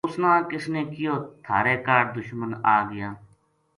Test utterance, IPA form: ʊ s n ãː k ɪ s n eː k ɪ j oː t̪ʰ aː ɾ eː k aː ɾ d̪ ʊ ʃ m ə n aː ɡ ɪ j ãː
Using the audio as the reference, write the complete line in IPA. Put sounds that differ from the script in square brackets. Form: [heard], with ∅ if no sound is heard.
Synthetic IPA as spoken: ʊ s n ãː k ɪ s n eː k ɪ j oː t̪ʰ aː ɾ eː k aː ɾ d̪ ʊ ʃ m ə n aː ɡ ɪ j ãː

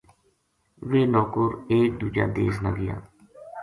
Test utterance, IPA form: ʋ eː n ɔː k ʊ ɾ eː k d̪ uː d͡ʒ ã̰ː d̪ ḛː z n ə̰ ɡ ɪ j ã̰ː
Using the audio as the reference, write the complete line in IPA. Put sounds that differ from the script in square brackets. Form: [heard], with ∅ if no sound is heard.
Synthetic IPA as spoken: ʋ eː n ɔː k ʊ ɾ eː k d̪ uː d͡ʒ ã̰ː d̪ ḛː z n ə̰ ɡ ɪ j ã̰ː

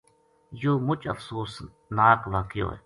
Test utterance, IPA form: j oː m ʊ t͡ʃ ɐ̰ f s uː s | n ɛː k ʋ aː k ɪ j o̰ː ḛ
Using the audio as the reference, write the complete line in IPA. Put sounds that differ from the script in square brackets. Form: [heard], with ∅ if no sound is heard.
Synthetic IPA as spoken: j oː m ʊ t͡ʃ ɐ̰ f s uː s | n [aː] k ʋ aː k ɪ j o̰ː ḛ

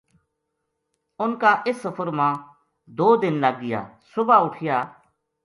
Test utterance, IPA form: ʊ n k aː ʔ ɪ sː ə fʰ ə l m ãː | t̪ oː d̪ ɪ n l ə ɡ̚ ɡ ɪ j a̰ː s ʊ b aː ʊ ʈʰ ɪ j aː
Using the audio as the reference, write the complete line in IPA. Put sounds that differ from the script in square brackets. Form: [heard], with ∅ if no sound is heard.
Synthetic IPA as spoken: ʊ n k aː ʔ ɪ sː ə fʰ ə [ɾ] m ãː | [d̪] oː d̪ ɪ n l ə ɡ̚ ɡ ɪ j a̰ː s ʊ b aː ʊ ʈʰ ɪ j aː

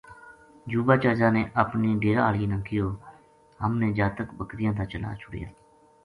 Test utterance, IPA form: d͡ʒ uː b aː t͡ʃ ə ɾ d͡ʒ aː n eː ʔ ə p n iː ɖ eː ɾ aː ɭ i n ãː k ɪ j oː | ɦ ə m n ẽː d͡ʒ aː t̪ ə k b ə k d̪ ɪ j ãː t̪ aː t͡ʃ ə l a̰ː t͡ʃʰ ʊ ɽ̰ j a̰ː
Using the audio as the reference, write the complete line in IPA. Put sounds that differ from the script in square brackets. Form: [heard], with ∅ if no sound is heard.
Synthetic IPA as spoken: d͡ʒ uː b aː t͡ʃ ə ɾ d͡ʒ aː n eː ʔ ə p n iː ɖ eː ɾ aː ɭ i n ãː k ɪ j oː | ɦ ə m n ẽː d͡ʒ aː t̪ ə k b ə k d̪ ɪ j ãː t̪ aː t͡ʃ ə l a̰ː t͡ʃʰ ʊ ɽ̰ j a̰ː

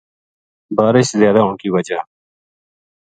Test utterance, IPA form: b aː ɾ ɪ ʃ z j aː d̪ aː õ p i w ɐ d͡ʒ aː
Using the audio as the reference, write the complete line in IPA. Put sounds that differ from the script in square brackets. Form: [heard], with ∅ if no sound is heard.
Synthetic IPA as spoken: b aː ɾ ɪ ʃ z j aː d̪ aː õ [k] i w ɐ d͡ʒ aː

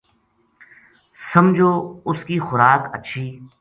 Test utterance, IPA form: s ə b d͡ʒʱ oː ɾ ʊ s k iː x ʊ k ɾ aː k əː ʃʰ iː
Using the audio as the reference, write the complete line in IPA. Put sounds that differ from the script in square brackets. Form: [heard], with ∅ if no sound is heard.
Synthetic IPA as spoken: s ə [m] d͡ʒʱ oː [∅] ʊ s k iː x ʊ [∅] ɾ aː k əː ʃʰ iː

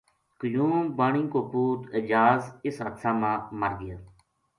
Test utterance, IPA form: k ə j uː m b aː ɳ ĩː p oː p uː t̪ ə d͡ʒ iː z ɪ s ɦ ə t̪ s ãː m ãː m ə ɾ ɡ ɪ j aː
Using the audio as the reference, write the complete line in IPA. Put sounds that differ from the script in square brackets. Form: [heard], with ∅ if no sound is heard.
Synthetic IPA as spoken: k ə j uː m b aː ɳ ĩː [k] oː p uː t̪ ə d͡ʒ [aː] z ɪ s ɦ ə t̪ s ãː m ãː m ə ɾ ɡ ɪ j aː

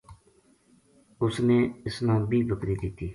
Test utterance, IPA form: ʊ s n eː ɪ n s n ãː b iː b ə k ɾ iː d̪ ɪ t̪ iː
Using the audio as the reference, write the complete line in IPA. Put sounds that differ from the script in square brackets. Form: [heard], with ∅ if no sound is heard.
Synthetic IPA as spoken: ʊ s n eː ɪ [∅] s n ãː b iː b ə k ɾ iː d̪ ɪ t̪ iː

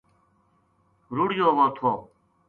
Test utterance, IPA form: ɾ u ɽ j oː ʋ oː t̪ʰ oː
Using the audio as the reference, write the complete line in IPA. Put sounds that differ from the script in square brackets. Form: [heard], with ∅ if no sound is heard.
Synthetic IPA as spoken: ɾ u ɽ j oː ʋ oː t̪ʰ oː

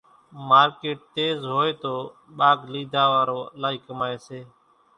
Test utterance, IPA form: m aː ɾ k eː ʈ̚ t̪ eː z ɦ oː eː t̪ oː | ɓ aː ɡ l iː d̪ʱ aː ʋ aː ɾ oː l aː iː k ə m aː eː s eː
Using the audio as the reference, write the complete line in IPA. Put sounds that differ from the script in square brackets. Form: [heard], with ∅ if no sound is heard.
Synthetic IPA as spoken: m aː ɾ k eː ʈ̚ t̪ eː z ɦ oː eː t̪ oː | ɓ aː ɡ l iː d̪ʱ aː ʋ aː ɾ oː l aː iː k ə m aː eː s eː

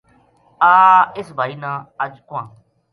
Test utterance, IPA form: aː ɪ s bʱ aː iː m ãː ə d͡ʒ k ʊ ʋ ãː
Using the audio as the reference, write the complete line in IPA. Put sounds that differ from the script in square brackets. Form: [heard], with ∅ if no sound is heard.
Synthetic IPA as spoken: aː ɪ s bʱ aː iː [n] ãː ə d͡ʒ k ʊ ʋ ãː

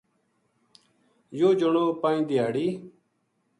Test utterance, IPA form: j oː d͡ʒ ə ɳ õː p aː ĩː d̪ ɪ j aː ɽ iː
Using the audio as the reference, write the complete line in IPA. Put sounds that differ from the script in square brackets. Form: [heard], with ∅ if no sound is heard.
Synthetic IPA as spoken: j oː d͡ʒ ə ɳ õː p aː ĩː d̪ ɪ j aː ɽ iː

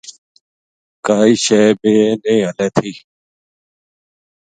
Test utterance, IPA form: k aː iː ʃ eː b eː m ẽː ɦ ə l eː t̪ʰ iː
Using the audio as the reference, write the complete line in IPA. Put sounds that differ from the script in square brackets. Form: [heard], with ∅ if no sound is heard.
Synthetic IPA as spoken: k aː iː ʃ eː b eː [n] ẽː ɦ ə l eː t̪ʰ iː

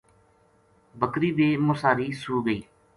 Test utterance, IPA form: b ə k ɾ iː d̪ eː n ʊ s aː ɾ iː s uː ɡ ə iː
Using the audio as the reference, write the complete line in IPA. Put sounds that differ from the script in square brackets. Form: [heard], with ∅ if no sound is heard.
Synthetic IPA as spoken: b ə k ɾ iː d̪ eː [m] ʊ s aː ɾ iː s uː ɡ ə iː

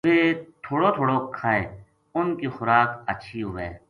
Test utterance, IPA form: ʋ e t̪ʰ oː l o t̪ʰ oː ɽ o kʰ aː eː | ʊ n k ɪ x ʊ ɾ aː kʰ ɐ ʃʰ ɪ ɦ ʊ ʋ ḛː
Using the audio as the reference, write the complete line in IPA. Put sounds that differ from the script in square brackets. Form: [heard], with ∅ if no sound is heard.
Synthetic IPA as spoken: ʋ e t̪ʰ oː [ɽ] o t̪ʰ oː ɽ o kʰ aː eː | ʊ n k [i] x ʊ ɾ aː [k] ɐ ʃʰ [i] ɦ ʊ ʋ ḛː

